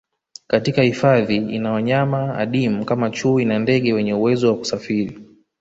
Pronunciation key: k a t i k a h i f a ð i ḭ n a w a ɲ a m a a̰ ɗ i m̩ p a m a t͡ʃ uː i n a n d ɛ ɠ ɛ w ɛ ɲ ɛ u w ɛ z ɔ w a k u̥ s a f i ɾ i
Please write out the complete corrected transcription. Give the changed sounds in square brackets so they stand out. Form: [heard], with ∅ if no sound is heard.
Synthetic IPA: k a t i k a h i f a ð i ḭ n a w a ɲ a m a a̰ ɗ i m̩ [k] a m a t͡ʃ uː i n a n d ɛ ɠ ɛ w ɛ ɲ ɛ u w ɛ z ɔ w a k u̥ s a f i ɾ i

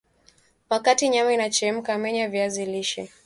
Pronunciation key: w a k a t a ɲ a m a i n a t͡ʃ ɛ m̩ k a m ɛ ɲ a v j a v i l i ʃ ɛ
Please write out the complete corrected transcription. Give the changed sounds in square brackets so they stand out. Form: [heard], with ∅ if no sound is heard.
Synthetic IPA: w a k a t [i] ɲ a m a i n a t͡ʃ ɛ m̩ k a m ɛ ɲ a v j a [z] i l i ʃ ɛ

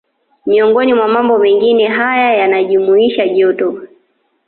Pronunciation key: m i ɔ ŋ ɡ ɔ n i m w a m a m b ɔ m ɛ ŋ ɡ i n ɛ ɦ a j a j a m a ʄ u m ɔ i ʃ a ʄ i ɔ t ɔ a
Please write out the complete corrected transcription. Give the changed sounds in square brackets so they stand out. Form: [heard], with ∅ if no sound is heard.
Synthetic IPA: m i ɔ ŋ ɡ ɔ n i m w a m a m b ɔ m ɛ ŋ ɡ i n ɛ ɦ a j a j a [n] a ʄ u m [u] i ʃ a ʄ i ɔ t ɔ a

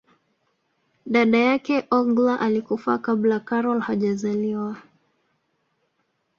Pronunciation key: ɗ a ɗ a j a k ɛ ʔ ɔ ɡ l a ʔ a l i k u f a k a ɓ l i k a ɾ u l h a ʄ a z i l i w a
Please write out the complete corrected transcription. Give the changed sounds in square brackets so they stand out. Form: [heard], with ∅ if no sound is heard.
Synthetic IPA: ɗ a ɗ a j a k ɛ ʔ ɔ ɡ l a ʔ a l i k u f a k a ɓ l [a] k a ɾ [ɔ] l h a ʄ a z [a] l i w a

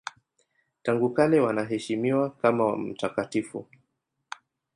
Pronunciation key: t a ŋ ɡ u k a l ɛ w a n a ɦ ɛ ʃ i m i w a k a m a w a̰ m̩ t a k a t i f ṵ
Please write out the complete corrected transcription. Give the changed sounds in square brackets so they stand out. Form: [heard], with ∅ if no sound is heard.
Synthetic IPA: t a ŋ ɡ u k a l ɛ w a n a ɦ ɛ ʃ i m i w a k a m a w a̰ m̩ t a k a t i f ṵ

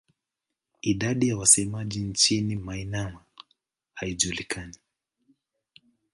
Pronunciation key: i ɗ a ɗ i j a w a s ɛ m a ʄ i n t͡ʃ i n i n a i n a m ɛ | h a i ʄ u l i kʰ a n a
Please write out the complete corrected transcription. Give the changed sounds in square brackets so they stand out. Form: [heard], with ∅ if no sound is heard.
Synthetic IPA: i ɗ a ɗ i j a w a s ɛ m a ʄ i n t͡ʃ i n i [m] a i n a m [a] | h a i ʄ u l i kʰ a n [i]

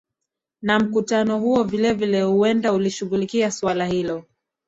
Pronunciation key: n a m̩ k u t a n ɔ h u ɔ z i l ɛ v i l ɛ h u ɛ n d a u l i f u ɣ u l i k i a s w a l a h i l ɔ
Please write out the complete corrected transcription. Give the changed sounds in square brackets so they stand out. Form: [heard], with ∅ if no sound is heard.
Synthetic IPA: n a m̩ k u t a n ɔ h u ɔ [v] i l ɛ v i l ɛ h u ɛ n d a u l i [ʃ] u ɣ u l i k i a s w a l a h i l ɔ

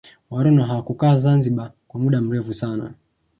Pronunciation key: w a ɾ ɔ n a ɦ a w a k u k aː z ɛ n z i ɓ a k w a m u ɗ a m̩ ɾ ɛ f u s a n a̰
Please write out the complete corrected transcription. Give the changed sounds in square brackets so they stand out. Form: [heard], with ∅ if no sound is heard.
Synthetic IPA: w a ɾ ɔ n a ɦ a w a k u k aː z [a] n z i ɓ a k w a m u ɗ a m̩ ɾ ɛ f u s a n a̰

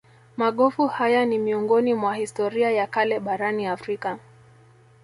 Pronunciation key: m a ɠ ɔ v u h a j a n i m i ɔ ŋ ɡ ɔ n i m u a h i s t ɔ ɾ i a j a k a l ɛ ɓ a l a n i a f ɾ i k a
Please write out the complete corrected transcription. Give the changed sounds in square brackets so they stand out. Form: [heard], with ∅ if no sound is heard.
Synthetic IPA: m a ɠ ɔ [f] u h a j a n i m i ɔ ŋ ɡ ɔ n i m [w] a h i s t ɔ ɾ i a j a k a l ɛ ɓ a [ɾ] a n i a f ɾ i k a

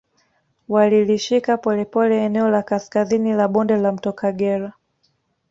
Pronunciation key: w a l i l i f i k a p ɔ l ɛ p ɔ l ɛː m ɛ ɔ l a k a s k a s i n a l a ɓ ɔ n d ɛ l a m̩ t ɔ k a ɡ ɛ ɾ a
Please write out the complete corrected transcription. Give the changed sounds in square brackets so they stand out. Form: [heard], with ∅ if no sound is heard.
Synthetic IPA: w a l i l i [ʃ] i k a p ɔ l ɛ p ɔ l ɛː [n] ɛ ɔ l a k a s k a [z] i n [i] l a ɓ ɔ n d ɛ l a m̩ t ɔ k a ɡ ɛ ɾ a

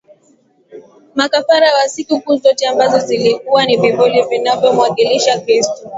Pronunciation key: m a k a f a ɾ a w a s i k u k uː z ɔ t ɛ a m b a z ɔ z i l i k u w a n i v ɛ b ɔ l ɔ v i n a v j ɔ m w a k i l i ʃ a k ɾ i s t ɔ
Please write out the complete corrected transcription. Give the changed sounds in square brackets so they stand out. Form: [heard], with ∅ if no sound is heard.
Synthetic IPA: m a k a f a ɾ a w a s i k u k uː z ɔ t ɛ a m b a z ɔ z i l i k u w a n i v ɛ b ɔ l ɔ v i n a v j ɔ m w a k i l i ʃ a k ɾ i s t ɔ

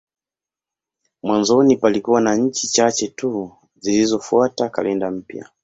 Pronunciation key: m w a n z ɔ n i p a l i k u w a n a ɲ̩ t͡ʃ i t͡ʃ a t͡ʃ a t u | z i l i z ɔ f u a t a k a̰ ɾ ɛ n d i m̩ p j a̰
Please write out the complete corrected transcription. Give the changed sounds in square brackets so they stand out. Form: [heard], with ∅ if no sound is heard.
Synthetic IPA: m w a n z ɔ n i p a l i k u w a n a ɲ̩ t͡ʃ i t͡ʃ a t͡ʃ [ɛ] t u | z i l i z ɔ f u a t a k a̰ [l] ɛ n d [a] m̩ p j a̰

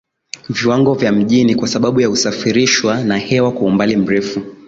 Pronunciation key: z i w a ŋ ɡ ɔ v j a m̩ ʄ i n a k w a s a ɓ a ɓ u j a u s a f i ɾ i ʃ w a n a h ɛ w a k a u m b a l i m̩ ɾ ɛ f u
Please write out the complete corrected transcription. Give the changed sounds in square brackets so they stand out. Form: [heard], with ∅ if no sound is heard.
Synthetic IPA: [v] i w a ŋ ɡ ɔ v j a m̩ ʄ i n [i] k w a s a ɓ a ɓ u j a u s a f i ɾ i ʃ w a n a h ɛ w a k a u m b a l i m̩ ɾ ɛ f u

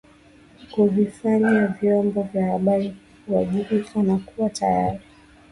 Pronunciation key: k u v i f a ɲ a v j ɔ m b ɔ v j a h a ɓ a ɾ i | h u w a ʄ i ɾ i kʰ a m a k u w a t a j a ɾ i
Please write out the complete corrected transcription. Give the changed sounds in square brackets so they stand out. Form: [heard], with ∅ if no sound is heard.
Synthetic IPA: k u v i f a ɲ a v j ɔ m b ɔ v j a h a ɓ a ɾ i | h u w a ʄ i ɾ i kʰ a [n] a k u w a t a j a ɾ i

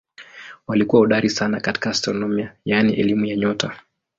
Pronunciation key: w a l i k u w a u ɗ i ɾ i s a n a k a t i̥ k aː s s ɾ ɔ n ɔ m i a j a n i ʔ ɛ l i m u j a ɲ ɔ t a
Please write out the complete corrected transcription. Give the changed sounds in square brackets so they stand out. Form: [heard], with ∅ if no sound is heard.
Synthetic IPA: w a l i k u w a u ɗ [a] ɾ i s a n a k a t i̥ k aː s [t] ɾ ɔ n ɔ m i a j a n i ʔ ɛ l i m u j a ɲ ɔ t a

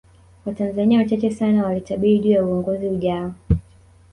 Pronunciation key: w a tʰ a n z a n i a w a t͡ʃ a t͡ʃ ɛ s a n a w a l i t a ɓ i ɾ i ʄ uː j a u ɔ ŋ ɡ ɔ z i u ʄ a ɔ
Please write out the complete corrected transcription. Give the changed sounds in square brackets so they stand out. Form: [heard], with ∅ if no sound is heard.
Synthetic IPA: w a [t] a n z a n i a w a t͡ʃ a t͡ʃ ɛ s a n a w a l i t a ɓ i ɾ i ʄ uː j a u ɔ ŋ ɡ ɔ z i u ʄ a ɔ

